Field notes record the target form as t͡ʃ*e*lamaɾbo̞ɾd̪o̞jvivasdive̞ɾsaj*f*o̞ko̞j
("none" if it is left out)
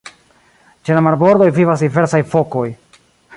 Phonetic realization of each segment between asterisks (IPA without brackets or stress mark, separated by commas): e, f